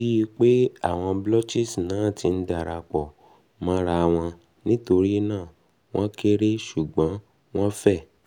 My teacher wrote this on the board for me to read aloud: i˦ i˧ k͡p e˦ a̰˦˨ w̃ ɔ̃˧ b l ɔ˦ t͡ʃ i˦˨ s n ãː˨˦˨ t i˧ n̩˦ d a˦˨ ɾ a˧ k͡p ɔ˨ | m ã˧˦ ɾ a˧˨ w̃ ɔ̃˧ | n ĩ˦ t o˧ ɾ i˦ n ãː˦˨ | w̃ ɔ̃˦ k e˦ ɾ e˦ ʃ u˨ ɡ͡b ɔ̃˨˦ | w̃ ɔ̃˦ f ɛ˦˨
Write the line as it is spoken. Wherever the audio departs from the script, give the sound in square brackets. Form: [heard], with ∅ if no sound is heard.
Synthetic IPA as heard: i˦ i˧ k͡p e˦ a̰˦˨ w̃ ɔ̃˧ b l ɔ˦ t͡ʃ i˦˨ s n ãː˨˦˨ t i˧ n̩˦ d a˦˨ ɾ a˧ k͡p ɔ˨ | m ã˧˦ ɾ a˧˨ w̃ ɔ̃˧ | n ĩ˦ t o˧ ɾ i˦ n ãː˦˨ | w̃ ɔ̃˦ k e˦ ɾ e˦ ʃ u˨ ɡ͡b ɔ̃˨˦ | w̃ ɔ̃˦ f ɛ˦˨